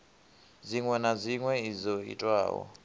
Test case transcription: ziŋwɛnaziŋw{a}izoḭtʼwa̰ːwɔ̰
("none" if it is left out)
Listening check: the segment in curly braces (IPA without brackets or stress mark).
ɛ